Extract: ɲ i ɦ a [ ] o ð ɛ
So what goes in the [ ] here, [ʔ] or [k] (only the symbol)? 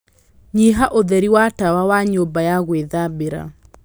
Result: ʔ